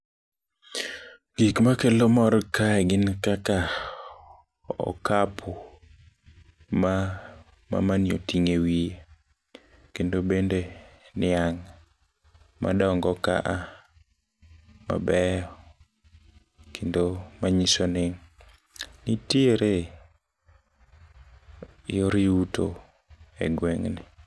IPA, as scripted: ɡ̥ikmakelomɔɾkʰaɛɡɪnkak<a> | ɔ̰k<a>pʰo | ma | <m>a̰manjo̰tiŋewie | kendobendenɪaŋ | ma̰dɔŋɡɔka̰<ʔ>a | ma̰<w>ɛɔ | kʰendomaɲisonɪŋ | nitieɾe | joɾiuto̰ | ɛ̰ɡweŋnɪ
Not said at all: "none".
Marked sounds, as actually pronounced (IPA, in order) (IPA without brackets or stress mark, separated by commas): a, a, m, ʔ, b